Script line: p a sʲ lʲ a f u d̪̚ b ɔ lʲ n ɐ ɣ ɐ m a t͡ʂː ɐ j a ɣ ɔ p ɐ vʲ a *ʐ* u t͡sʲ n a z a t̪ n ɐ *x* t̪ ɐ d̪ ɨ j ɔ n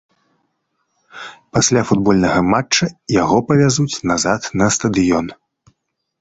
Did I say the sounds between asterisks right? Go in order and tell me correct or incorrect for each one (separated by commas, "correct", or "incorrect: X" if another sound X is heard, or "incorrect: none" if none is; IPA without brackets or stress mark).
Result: incorrect: z, incorrect: s